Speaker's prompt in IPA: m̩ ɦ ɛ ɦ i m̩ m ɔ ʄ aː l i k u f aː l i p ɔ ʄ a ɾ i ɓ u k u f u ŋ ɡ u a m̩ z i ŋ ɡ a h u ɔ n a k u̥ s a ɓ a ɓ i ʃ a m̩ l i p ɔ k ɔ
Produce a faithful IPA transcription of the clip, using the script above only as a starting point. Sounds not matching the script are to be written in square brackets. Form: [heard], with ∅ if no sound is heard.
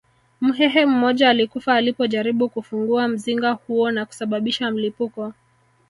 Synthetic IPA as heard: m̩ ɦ ɛ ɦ [ɛ] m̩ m ɔ ʄ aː l i k u f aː l i p ɔ ʄ a ɾ i ɓ u k u f u ŋ ɡ u a m̩ z i ŋ ɡ a h u ɔ n a k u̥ s a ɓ a ɓ i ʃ a m̩ l i p [u] k ɔ